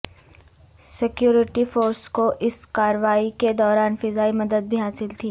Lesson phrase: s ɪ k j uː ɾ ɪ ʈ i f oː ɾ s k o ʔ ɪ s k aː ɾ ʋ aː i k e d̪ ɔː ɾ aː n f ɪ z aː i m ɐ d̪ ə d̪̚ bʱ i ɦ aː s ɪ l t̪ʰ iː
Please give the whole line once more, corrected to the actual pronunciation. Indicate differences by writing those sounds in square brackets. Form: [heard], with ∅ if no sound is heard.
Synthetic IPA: s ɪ k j uː ɾ ɪ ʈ i f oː ɾ s k o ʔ ɪ s k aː ɾ ʋ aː i k e d̪ ɔː ɾ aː n f ɪ z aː i m ɐ d̪ ə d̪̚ bʱ i ɦ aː s ɪ l t̪ʰ iː